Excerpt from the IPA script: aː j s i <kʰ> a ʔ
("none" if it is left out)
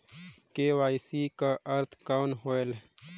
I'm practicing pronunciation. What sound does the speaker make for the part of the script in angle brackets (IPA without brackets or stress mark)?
k